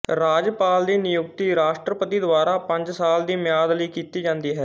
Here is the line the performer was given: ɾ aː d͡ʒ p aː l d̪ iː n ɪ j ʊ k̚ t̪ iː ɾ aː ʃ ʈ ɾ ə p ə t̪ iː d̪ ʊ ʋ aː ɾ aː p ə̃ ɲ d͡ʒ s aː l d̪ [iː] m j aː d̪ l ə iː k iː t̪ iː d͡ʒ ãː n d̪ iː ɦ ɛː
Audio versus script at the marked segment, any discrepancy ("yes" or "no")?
no